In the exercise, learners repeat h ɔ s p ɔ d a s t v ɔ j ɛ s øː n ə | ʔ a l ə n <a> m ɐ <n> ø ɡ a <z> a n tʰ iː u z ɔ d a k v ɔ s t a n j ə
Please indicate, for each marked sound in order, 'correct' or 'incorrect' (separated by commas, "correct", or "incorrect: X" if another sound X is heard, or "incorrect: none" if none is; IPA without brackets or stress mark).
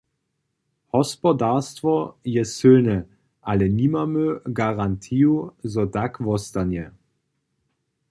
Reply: incorrect: i, incorrect: m, incorrect: ʁ